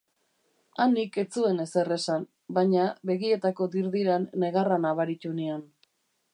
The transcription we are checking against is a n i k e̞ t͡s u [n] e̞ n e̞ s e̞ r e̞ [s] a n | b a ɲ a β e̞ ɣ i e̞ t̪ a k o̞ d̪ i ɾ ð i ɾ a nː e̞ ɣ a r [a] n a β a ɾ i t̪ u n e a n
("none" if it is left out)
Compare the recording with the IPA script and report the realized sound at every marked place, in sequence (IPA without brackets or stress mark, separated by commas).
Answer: none, s, a